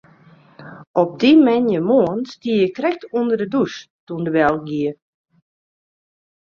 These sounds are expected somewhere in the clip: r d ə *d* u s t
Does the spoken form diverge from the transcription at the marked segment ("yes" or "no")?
no